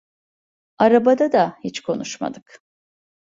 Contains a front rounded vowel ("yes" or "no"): no